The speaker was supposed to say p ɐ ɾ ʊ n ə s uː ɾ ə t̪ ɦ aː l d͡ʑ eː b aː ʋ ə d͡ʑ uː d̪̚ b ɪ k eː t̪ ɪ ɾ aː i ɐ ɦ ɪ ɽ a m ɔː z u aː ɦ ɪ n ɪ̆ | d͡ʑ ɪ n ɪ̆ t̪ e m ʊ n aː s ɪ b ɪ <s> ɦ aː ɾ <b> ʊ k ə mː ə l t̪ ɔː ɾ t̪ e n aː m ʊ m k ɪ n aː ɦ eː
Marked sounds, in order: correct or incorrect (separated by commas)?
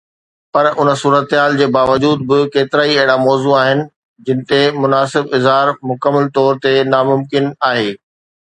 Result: incorrect, incorrect